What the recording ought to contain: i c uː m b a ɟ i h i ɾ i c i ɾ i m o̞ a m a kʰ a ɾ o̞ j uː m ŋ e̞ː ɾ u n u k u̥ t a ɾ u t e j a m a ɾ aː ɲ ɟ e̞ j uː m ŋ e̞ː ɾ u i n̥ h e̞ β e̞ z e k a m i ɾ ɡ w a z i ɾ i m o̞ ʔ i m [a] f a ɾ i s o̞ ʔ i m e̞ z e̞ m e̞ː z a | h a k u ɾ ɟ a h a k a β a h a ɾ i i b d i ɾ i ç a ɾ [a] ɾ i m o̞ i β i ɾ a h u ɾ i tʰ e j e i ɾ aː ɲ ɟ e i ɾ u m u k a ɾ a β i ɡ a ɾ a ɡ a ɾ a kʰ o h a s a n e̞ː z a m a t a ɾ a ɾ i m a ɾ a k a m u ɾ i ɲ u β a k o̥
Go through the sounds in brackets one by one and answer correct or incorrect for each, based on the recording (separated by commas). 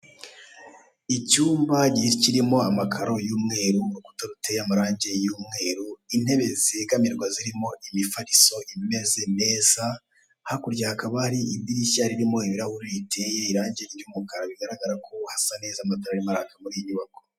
incorrect, incorrect